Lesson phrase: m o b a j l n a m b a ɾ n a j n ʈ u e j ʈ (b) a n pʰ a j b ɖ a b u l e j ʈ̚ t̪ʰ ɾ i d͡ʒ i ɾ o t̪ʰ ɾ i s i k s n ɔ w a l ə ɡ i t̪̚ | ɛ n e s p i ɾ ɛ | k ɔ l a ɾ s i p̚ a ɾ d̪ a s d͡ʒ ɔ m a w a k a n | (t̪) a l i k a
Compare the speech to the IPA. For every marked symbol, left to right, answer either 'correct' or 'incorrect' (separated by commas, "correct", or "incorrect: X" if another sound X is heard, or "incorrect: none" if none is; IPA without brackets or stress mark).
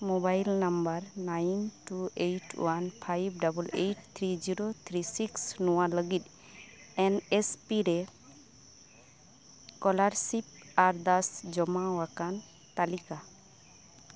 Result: incorrect: w, correct